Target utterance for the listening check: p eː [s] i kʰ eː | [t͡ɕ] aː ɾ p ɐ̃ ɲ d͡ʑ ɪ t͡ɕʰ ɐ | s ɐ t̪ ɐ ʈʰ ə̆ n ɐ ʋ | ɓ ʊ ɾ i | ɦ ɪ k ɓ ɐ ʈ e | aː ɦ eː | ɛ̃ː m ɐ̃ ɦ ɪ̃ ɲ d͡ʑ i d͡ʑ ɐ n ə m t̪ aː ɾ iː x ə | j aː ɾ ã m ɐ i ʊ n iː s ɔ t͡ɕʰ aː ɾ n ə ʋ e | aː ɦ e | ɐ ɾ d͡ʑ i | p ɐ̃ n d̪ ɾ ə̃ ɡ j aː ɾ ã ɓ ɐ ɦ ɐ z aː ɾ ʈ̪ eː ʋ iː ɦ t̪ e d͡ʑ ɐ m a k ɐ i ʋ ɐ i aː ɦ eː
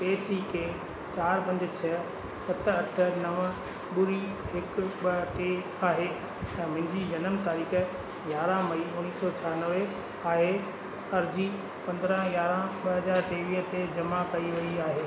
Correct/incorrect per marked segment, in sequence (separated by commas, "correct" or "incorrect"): correct, correct